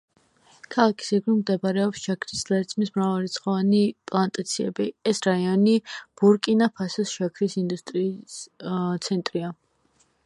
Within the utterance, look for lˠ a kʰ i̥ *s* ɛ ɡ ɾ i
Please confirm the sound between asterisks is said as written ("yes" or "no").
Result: yes